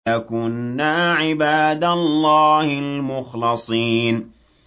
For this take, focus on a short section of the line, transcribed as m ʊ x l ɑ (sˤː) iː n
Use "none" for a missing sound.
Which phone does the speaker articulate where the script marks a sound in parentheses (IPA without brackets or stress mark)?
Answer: sˤ